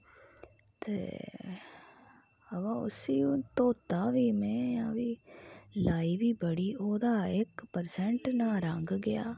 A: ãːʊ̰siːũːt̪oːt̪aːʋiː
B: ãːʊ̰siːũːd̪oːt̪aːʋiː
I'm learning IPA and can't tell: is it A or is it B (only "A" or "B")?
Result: A